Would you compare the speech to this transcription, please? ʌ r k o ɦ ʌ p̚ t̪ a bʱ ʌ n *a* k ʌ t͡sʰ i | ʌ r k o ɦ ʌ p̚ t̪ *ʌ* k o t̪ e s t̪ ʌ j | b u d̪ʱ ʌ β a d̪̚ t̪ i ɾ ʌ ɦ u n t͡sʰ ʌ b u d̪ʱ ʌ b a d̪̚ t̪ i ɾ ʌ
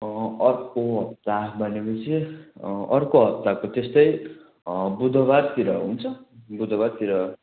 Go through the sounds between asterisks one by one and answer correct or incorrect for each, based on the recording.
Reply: incorrect: e, incorrect: a

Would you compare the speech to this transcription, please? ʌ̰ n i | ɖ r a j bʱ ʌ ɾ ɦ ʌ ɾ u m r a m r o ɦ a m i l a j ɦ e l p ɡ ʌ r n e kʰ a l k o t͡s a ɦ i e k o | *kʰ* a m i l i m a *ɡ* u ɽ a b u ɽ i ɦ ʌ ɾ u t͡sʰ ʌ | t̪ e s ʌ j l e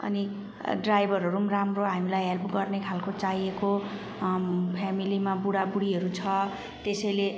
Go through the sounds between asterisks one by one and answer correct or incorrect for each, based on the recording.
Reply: incorrect: pʰ, incorrect: b

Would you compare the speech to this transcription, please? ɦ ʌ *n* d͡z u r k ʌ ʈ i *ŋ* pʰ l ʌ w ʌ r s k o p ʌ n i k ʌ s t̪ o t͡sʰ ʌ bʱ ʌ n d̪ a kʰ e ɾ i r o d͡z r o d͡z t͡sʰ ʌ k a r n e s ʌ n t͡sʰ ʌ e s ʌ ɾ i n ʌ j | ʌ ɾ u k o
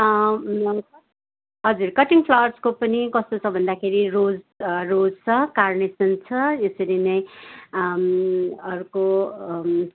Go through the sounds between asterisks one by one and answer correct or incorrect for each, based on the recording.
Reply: incorrect: none, correct

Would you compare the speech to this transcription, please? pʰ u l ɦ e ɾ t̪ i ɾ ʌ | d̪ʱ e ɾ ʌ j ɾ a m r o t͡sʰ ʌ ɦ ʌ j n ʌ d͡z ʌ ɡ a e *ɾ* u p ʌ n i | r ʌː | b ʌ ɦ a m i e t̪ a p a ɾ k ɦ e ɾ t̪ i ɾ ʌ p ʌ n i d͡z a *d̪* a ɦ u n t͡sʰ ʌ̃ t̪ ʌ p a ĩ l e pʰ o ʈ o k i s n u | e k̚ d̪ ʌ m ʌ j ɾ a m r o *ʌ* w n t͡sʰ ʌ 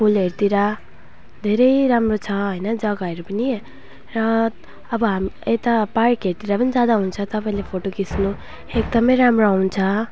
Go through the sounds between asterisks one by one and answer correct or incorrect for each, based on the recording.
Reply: correct, correct, incorrect: a

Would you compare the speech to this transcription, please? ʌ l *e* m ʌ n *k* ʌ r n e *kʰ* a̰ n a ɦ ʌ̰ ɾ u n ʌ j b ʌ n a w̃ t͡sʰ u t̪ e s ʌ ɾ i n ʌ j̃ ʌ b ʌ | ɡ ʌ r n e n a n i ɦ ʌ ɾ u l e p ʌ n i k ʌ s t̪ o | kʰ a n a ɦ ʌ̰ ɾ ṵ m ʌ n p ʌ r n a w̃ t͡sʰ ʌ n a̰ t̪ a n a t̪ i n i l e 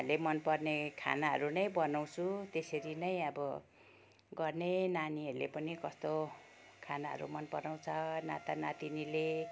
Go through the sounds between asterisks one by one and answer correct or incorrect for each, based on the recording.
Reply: correct, incorrect: p, correct

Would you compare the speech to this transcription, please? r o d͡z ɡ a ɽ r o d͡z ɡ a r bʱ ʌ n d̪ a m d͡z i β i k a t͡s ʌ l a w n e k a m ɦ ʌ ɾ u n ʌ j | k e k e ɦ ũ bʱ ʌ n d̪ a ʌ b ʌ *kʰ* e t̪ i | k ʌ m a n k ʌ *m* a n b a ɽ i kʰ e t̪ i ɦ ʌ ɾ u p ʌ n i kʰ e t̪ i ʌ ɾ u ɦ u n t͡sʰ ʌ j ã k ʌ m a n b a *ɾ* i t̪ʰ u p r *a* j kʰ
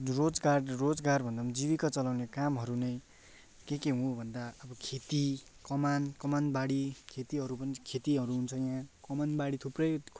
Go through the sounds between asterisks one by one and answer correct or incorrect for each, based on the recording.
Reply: correct, correct, incorrect: ɽ, incorrect: ʌ

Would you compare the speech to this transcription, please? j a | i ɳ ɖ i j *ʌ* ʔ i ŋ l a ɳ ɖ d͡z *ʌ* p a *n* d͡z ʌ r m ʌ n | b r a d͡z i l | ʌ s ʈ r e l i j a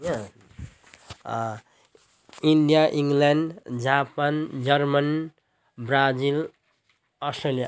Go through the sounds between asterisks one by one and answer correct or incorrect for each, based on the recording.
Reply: incorrect: a, incorrect: a, correct

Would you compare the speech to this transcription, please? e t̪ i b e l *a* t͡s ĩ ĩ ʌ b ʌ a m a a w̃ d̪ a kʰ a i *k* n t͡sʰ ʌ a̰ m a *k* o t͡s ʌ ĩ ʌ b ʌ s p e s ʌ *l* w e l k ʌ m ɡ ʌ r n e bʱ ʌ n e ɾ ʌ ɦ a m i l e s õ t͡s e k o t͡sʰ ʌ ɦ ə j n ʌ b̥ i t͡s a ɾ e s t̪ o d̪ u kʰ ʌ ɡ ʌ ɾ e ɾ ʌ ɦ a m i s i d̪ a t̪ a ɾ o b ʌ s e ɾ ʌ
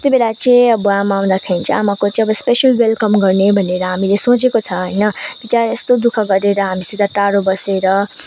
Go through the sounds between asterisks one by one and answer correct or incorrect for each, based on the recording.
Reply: correct, incorrect: none, correct, correct

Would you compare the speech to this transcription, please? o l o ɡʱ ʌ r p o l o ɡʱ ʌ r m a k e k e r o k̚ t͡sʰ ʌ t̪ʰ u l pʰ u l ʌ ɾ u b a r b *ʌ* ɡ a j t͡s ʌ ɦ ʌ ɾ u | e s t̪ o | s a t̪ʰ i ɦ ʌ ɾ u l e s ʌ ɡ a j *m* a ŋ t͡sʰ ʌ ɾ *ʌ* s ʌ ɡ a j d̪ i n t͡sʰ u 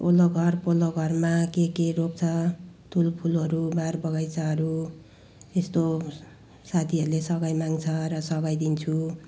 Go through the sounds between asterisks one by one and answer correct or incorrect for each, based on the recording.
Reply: correct, correct, correct

